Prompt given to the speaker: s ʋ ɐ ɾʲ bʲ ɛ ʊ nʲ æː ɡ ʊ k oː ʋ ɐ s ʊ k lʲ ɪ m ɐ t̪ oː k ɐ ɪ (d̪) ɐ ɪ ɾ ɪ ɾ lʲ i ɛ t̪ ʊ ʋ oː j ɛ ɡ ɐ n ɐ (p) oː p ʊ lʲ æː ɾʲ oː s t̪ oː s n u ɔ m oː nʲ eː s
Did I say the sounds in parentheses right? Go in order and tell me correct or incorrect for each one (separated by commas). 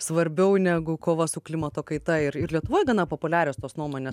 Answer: incorrect, correct